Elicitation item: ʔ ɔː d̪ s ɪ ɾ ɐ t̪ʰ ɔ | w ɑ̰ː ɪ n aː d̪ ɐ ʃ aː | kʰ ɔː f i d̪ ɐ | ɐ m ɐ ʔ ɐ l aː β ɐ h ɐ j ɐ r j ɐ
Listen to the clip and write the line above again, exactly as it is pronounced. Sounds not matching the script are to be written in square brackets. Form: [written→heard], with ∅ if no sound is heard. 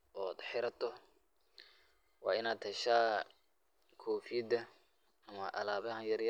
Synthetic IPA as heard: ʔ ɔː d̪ [s→ħ] ɪ ɾ ɐ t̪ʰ ɔ | w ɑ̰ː ɪ n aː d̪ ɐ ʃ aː | kʰ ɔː f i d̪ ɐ | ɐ m ɐ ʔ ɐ l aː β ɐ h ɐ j ɐ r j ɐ